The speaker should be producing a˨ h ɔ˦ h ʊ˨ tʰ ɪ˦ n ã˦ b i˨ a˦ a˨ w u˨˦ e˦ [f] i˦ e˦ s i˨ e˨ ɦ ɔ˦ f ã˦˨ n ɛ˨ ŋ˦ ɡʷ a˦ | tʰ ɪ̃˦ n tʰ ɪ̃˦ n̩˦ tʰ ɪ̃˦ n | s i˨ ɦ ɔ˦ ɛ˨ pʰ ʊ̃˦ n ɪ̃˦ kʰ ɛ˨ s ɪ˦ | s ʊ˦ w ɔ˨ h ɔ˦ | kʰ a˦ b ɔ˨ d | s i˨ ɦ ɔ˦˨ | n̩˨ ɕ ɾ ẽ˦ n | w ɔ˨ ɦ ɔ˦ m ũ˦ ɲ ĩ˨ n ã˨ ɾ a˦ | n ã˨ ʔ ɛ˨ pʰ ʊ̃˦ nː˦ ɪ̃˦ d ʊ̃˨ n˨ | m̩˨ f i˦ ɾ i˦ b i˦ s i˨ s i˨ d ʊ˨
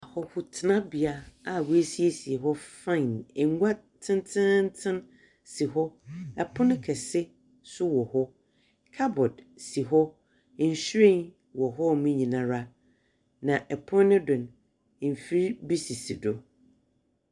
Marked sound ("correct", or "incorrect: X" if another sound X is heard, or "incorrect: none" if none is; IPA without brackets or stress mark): incorrect: s